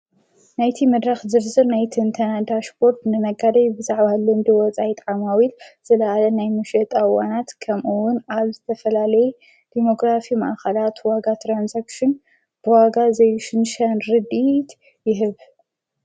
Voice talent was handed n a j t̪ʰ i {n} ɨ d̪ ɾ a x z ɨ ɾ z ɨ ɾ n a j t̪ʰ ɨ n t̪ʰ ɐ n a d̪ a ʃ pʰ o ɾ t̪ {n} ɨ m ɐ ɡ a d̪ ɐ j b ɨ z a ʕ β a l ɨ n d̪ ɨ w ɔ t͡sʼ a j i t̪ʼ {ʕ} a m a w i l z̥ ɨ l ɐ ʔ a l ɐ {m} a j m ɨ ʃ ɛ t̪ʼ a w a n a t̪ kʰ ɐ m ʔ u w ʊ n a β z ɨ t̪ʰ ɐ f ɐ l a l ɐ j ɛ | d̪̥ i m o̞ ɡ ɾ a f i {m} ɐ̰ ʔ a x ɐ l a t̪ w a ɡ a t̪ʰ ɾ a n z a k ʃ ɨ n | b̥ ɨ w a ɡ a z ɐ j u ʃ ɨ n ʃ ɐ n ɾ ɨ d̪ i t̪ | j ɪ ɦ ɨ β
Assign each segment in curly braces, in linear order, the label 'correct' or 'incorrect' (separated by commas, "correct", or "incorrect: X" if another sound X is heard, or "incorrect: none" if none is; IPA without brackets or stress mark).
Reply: incorrect: m, correct, correct, incorrect: n, correct